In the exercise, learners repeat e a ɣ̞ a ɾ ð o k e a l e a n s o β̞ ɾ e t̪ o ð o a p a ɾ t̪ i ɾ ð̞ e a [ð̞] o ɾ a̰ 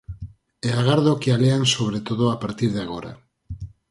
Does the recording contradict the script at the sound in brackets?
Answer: yes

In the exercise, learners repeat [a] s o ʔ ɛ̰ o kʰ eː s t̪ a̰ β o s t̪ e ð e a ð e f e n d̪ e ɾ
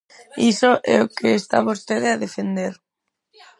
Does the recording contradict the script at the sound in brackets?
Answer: yes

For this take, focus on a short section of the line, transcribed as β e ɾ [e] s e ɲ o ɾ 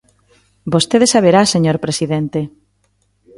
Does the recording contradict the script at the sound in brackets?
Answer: yes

